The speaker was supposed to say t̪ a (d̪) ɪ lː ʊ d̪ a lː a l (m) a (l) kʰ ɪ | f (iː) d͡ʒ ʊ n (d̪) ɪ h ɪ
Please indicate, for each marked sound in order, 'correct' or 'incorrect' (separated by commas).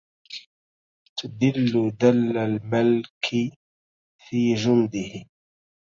correct, correct, correct, correct, correct